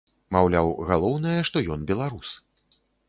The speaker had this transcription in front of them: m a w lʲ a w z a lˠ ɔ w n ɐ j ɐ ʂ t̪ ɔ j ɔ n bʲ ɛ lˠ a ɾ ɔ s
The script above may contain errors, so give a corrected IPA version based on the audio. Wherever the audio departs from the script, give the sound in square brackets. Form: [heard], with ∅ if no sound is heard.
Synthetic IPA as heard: m a w lʲ a w [ɣ] a lˠ ɔ w n ɐ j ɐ ʂ t̪ ɔ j ɔ n bʲ ɛ lˠ a ɾ [u] s